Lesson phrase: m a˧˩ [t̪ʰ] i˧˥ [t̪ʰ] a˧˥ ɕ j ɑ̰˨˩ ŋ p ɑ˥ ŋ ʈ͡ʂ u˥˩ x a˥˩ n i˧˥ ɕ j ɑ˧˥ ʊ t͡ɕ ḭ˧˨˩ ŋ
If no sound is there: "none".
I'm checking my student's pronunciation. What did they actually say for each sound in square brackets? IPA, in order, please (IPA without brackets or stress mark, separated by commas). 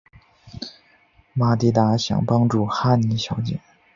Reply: t̪, t̪